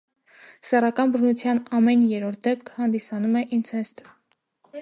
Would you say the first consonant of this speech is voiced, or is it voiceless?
voiceless